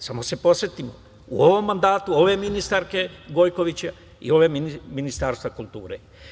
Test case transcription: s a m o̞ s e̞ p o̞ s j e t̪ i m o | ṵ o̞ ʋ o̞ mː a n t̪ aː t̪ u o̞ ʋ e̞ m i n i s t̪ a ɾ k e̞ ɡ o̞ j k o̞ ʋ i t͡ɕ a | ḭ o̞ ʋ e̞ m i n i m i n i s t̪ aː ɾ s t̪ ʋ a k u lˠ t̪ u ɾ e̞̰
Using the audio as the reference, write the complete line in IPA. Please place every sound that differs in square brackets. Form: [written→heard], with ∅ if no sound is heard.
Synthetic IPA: s a m o̞ s e̞ p o̞ s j e t̪ i m o | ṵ o̞ ʋ o̞ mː a n [t̪→d̪] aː t̪ u o̞ ʋ e̞ m i n i s t̪ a ɾ k e̞ ɡ o̞ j k o̞ ʋ i t͡ɕ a | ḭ o̞ ʋ e̞ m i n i m i n i s t̪ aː ɾ s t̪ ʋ a k u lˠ t̪ [u→uː] ɾ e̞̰